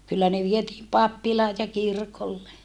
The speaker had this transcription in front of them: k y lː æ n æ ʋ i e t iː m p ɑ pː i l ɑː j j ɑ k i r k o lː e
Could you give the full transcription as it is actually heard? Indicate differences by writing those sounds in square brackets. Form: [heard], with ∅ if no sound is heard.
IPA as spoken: k y lː æ n [e] ʋ i e t iː m p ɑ pː i l ɑː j j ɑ k i r k o lː e